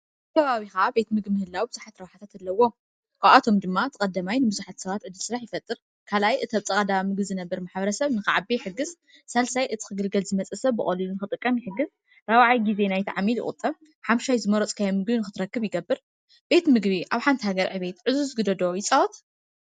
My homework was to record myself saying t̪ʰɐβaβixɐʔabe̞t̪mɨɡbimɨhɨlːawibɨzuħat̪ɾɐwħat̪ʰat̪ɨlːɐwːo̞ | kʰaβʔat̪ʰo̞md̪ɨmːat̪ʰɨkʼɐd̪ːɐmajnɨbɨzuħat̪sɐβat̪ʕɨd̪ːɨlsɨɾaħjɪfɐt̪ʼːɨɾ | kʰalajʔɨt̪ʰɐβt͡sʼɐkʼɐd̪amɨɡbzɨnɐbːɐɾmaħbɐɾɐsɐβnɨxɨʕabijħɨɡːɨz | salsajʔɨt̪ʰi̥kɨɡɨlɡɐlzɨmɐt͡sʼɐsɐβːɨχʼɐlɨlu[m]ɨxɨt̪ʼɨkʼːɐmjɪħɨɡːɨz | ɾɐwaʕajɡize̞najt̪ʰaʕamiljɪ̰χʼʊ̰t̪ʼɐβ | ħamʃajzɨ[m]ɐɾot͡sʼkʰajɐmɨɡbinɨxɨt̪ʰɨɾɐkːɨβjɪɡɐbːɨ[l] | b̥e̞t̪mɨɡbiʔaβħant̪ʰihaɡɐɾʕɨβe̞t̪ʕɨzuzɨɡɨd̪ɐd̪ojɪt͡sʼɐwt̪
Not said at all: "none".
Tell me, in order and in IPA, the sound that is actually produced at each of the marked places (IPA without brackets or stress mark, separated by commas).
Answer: n, m, ɾ